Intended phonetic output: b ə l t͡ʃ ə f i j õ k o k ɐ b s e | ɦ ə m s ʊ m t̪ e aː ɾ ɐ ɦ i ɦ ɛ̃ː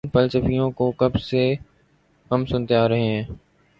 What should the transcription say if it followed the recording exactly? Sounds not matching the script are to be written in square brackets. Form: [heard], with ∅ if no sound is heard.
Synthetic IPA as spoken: [p] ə l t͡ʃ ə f i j õ k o k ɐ b s e | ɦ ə m s ʊ [n] t̪ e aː ɾ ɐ ɦ [e] ɦ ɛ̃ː